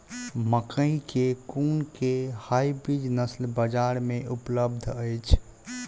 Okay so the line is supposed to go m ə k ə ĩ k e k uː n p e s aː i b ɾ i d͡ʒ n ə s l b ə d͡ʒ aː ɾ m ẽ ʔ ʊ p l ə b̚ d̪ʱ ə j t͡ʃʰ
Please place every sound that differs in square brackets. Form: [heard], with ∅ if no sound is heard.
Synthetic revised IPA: m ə k ə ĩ k e k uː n [k] e [h] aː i b ɾ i d͡ʒ n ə s l b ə d͡ʒ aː ɾ m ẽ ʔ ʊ p l ə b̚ d̪ʱ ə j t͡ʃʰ